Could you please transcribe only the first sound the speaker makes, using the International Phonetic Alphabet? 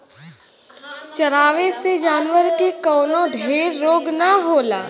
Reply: t͡ʃ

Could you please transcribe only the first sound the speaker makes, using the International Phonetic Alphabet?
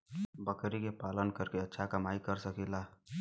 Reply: b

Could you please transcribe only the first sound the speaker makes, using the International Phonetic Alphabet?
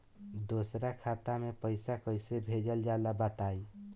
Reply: d̪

